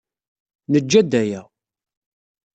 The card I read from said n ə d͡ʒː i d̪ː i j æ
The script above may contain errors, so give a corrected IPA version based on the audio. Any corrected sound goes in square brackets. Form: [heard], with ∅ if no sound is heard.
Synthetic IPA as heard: n ə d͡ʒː [æ] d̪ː [æ] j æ